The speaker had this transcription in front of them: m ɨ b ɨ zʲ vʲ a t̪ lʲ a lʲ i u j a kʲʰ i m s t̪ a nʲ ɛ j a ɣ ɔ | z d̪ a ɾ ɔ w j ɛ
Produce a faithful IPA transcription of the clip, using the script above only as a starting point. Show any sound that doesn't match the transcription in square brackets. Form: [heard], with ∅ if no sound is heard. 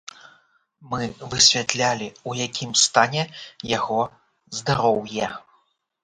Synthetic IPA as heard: m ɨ [v] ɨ [sʲ] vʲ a t̪ lʲ a lʲ i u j a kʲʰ i m s t̪ a nʲ ɛ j a ɣ ɔ | z d̪ a ɾ ɔ w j ɛ